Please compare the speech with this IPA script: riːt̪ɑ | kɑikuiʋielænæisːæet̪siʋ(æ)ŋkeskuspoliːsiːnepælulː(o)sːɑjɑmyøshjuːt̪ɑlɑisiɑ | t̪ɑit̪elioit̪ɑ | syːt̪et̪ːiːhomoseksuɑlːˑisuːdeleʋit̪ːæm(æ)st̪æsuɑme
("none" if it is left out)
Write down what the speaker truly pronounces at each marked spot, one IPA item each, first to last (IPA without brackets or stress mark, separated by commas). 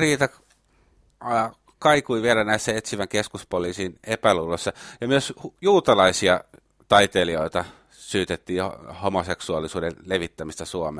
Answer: æ, o, i